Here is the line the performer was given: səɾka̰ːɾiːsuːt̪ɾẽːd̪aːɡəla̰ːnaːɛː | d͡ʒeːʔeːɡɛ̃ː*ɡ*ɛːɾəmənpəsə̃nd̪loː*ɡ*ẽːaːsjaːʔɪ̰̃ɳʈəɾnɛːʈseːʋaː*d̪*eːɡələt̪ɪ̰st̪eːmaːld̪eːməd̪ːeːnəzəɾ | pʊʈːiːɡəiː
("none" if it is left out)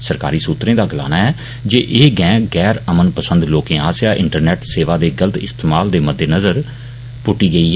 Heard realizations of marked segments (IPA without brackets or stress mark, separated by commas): ɡ, k, d̪